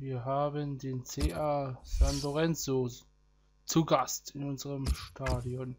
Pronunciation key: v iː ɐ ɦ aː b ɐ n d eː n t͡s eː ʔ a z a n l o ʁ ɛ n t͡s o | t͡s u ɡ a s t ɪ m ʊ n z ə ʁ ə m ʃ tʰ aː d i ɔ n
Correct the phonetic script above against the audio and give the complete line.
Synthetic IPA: v iː ɐ ɦ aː b ə n d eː n t͡s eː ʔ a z a n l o ʁ ɛ n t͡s o | t͡s u ɡ a s t ɪ n ʊ n z ə ʁ ə m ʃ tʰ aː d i ɔ n